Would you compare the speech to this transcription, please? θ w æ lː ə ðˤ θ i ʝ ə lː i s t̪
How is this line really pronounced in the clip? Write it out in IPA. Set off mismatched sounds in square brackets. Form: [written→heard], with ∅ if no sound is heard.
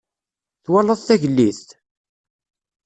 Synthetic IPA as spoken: θ w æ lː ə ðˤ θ [i→æ] ʝ ə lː i [s→θ] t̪